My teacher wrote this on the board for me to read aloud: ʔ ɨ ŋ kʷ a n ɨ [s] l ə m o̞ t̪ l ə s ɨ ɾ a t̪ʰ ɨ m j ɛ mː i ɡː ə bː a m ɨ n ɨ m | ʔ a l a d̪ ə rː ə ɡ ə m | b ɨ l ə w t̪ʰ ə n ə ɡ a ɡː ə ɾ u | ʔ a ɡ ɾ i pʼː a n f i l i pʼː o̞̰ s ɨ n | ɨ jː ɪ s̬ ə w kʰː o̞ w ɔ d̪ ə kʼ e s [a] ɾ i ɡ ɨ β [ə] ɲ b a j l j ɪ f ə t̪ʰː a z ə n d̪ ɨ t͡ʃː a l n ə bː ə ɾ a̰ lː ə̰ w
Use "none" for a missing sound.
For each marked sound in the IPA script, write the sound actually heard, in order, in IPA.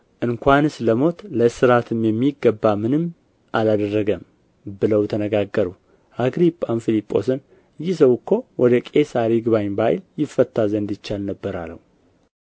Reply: s, a, a

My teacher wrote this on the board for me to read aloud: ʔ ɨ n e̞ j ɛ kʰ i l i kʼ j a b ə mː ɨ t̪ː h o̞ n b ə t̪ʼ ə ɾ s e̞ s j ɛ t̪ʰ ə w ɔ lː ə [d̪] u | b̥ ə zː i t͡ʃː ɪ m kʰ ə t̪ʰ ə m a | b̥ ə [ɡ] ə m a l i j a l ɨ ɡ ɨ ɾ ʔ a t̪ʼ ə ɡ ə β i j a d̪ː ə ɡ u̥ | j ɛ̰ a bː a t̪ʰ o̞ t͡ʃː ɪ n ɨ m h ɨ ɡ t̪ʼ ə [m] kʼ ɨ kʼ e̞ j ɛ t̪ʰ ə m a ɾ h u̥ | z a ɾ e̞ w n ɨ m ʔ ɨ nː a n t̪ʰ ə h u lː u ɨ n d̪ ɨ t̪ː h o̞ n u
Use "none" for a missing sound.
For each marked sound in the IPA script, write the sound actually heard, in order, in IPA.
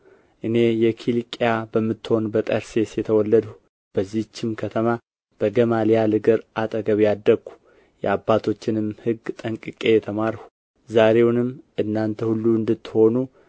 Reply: d̪, ɡ, ŋ

